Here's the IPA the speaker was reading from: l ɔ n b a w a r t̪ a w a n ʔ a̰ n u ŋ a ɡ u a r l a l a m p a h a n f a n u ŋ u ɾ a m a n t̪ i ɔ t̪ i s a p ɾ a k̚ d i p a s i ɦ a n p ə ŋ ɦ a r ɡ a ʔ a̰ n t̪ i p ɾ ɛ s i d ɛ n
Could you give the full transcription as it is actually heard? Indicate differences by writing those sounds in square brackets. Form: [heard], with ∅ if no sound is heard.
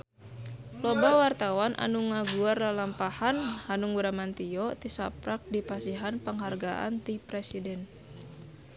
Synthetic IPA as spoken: l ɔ [∅] b a w a r t̪ a w a n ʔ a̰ n u ŋ a ɡ u a r l a l a m p a h a n [h] a n u ŋ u ɾ a m a n t̪ i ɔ t̪ i s a p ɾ a k̚ d i p a s i ɦ a n p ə ŋ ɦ a r ɡ a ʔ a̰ n t̪ i p ɾ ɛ s i d ɛ n